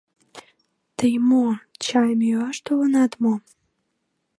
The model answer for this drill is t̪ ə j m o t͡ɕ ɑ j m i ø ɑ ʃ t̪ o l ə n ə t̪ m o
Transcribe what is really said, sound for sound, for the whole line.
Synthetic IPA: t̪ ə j m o t͡ɕ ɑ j m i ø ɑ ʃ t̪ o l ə n ɑ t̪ m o